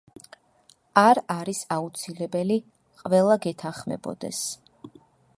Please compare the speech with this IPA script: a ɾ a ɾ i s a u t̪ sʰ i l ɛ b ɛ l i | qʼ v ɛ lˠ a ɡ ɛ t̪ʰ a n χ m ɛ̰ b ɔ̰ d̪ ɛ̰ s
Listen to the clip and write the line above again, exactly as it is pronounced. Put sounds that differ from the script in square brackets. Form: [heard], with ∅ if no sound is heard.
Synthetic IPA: a ɾ a ɾ i s a u t̪ sʰ i l ɛ b ɛ l i | qʼ v ɛ lˠ a ɡ ɛ t̪ʰ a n χ m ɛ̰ b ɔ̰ d̪ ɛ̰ s